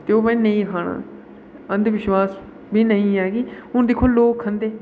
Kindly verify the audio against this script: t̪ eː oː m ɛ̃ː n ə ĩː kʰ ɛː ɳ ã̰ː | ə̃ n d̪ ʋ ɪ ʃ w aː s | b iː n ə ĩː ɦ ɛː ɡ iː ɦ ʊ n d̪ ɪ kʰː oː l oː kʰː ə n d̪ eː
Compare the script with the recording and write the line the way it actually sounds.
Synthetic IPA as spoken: t̪ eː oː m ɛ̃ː n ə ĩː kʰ aː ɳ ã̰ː | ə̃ n d̪ ʋ ɪ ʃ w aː s | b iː n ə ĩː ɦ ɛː ɡ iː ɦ ʊ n d̪ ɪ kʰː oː l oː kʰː ə n d̪ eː